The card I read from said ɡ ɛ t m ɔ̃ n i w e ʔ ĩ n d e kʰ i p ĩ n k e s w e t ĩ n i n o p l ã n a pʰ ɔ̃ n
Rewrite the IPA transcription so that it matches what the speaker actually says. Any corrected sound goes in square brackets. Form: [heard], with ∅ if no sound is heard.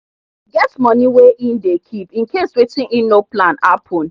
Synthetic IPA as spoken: ɡ ɛ t m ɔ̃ n i w e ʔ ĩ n d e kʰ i p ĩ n k e s w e t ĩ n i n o p l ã n a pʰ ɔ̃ n